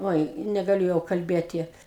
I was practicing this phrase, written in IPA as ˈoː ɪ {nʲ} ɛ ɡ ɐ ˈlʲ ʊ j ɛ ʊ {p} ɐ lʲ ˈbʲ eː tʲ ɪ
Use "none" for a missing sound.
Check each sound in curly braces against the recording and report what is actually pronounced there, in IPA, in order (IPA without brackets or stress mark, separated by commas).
nʲ, k